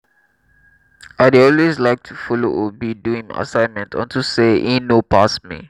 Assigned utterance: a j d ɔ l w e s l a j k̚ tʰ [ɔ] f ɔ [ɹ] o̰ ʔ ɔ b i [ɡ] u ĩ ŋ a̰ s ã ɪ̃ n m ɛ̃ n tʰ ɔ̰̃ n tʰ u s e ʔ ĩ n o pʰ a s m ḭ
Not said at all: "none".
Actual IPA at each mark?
u, l, d

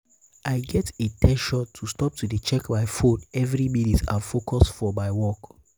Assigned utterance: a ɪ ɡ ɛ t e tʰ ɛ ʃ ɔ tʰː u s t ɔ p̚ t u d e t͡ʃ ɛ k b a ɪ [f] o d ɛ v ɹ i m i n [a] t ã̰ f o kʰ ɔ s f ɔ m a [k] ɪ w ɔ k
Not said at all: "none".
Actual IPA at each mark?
f, i, none

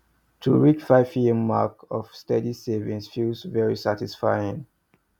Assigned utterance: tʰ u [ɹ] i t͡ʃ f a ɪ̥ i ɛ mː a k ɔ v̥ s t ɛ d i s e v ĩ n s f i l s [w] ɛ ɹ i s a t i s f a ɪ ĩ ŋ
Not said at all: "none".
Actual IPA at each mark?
ɹ, v

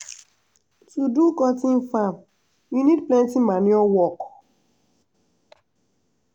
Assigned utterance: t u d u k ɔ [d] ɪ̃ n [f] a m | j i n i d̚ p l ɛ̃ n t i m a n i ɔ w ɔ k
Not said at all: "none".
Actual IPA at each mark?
t, f

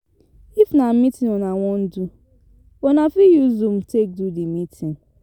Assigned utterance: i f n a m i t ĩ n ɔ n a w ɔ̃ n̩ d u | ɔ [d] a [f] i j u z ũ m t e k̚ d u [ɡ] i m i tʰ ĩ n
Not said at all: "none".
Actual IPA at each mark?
n, f, d

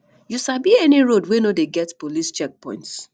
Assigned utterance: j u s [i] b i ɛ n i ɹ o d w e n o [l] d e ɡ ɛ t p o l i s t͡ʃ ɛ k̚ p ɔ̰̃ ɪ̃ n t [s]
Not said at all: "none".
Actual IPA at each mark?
a, none, s

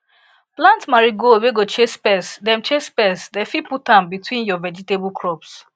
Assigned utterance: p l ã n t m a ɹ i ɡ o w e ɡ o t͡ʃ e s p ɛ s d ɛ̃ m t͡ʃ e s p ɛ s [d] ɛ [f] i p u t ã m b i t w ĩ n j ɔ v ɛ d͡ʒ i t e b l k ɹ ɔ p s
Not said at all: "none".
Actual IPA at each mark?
d, f

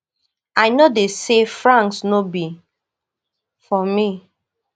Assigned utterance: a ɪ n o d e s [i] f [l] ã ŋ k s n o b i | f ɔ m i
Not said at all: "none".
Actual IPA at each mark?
e, ɹ

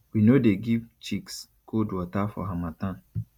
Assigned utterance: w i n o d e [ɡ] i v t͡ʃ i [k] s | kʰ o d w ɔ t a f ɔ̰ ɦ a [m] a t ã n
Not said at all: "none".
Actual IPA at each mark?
ɡ, k, m

